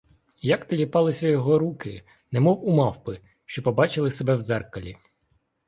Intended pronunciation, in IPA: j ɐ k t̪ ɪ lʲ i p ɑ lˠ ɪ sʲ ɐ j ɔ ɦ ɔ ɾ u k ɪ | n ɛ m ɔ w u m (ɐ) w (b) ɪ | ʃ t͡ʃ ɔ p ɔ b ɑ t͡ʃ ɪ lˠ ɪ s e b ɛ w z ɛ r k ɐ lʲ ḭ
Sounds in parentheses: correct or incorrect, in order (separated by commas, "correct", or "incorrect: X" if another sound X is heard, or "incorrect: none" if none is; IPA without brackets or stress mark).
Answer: incorrect: ɑ, incorrect: p